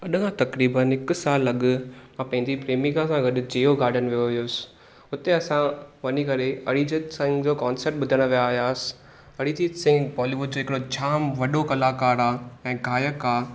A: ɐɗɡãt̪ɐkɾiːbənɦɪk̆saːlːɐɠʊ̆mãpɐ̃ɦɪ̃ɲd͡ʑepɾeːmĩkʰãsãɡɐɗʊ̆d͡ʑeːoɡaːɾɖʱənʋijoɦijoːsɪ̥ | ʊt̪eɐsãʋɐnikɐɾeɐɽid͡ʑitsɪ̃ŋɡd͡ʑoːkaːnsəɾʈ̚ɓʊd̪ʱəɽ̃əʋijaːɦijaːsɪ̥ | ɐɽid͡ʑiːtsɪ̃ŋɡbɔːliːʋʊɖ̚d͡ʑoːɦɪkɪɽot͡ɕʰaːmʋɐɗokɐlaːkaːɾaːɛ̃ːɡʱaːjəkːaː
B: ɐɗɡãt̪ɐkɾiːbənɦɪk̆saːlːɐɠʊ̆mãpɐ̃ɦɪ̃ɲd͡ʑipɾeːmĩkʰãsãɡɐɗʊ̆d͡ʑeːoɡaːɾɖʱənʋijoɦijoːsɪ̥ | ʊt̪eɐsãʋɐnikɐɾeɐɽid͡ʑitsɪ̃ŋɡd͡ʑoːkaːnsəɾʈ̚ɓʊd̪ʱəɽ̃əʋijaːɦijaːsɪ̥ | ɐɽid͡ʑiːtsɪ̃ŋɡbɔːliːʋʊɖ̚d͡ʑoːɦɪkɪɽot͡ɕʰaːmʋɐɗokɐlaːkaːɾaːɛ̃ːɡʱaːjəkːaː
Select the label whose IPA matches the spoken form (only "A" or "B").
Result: B